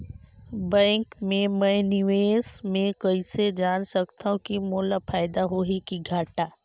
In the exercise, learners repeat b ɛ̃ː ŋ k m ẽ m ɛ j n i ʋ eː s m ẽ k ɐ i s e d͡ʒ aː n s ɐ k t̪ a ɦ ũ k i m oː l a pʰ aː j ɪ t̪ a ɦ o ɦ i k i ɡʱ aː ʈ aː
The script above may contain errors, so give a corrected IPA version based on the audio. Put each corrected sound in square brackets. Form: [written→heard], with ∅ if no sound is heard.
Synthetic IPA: b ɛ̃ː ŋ k m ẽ m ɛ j n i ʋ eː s m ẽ k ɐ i s e d͡ʒ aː n s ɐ k t̪ a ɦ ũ k i m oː l a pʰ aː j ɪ [t̪→d̪] a ɦ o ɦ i k i ɡʱ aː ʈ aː